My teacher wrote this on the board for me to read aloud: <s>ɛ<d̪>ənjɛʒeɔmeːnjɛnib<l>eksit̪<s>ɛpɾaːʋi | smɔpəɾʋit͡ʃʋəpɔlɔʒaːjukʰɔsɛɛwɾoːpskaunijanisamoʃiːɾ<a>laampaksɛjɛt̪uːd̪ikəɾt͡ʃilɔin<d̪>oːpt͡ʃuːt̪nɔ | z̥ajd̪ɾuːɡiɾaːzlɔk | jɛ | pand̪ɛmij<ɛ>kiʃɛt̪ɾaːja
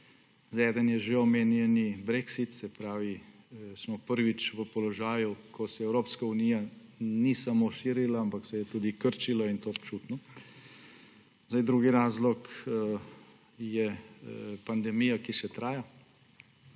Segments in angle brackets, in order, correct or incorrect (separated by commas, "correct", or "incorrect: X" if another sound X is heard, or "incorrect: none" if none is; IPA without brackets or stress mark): incorrect: z, correct, incorrect: ɾ, correct, incorrect: i, incorrect: t̪, incorrect: a